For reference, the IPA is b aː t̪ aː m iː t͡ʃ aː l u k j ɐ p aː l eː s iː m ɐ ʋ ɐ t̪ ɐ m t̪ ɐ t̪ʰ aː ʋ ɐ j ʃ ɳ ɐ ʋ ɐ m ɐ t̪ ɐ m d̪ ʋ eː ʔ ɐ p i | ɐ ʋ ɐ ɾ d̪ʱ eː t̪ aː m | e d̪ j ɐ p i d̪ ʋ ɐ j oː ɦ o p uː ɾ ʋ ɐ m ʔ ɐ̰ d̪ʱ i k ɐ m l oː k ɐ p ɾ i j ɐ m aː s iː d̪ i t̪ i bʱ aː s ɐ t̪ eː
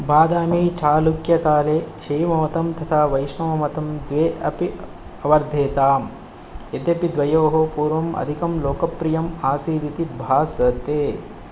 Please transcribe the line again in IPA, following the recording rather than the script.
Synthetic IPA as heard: b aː d̪ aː m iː t͡ʃ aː l u k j ɐ k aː l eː ʃ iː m ɐ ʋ ɐ t̪ ɐ m t̪ ɐ t̪ʰ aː ʋ ɐ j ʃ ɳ ɐ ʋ ɐ m ɐ t̪ ɐ m d̪ ʋ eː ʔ ɐ p i | ɐ ʋ ɐ ɾ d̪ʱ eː t̪ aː m | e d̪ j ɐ p i d̪ ʋ ɐ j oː ɦ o p uː ɾ ʋ ɐ m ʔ ɐ̰ d̪ʱ i k ɐ m l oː k ɐ p ɾ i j ɐ m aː s iː d̪ i t̪ i bʱ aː s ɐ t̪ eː